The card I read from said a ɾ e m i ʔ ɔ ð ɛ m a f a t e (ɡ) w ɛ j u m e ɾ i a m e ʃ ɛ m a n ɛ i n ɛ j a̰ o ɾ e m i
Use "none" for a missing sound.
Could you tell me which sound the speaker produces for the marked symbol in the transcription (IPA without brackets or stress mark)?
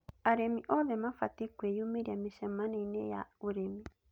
k